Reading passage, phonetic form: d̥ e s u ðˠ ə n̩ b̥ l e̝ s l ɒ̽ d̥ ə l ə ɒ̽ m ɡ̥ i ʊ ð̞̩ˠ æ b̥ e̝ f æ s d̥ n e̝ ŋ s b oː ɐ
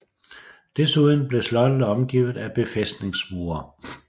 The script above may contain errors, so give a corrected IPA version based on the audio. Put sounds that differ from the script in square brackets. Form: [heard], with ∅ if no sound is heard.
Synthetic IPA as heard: d̥ e s u ðˠ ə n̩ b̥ l e̝ s l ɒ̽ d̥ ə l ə ɒ̽ m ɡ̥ i ʊ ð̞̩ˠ æ b̥ e̝ f [e] s d̥ n e̝ ŋ s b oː ɐ